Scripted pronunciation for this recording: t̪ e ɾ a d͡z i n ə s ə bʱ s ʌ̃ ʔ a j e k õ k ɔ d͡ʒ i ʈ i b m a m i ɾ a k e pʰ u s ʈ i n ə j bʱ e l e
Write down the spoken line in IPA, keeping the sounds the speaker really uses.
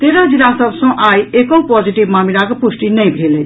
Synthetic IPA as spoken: t̪ e ɾ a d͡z i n a s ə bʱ s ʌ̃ ʔ a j e k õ p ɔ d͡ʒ i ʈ i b m a m i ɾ a k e p u s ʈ i n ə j bʱ e l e